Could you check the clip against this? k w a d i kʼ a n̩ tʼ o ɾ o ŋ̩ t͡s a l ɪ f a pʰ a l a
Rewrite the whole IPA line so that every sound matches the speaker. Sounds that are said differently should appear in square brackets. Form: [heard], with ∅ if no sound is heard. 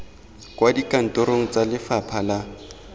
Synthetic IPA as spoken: k w a d i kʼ a n̩ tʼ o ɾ o ŋ̩ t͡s a l ɪ f a pʰ a l a